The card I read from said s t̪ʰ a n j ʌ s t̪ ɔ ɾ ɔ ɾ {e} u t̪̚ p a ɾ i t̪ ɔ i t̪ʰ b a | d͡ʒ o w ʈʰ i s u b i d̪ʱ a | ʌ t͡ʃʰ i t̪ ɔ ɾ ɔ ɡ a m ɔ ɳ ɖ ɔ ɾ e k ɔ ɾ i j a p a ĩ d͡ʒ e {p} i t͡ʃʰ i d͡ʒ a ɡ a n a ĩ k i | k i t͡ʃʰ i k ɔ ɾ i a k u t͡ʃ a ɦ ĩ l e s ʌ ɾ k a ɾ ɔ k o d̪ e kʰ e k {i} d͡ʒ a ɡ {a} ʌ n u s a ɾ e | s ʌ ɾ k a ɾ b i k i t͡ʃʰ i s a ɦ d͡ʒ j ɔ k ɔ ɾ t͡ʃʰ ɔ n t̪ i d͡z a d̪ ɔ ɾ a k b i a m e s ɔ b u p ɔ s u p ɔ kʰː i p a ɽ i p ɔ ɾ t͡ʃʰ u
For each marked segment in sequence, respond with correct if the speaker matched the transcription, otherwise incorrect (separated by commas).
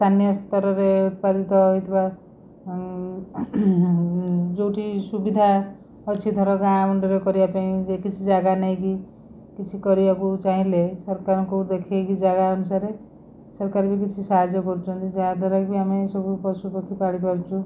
correct, incorrect, correct, correct